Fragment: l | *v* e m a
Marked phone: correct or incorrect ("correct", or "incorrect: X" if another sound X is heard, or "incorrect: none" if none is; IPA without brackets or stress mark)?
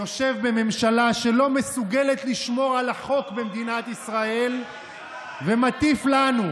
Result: correct